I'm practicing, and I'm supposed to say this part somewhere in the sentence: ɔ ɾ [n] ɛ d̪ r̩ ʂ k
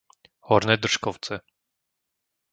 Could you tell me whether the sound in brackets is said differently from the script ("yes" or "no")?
no